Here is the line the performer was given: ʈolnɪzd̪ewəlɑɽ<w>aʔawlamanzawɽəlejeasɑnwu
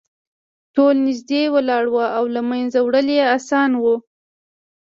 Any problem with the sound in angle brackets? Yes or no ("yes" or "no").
no